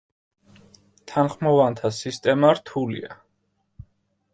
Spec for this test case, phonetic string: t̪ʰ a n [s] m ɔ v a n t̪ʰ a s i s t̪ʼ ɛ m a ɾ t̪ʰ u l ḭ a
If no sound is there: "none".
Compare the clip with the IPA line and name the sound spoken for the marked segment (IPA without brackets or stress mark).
χ